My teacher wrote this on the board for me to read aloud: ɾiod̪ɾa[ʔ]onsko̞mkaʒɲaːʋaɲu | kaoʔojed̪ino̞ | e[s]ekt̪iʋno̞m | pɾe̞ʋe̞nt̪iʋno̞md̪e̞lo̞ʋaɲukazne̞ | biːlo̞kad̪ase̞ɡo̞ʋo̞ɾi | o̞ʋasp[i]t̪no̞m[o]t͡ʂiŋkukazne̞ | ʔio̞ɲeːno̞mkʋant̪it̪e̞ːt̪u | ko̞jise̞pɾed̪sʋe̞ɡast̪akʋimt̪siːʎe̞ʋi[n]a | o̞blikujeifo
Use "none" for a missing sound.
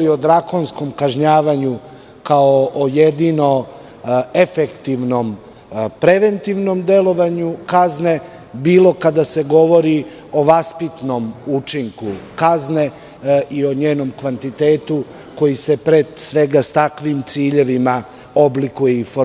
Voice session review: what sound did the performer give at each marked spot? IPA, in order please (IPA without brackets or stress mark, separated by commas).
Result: k, f, i, u, m